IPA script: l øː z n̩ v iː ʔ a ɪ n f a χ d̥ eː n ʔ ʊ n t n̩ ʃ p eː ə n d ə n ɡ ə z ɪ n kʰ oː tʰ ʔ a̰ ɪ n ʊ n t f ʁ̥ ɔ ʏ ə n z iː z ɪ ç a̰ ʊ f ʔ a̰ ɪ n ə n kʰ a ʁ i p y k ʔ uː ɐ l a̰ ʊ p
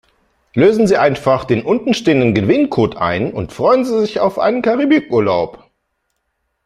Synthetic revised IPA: l øː z n̩ z iː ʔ a ɪ n f a χ d̥ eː n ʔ ʊ n t n̩ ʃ t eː ə n d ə n ɡ ə v ɪ n kʰ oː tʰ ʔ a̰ ɪ n ʊ n t f ʁ̥ ɔ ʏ ə n z iː z ɪ ç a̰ ʊ f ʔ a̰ ɪ n ə n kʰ a ʁ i b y k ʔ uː ɐ l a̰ ʊ p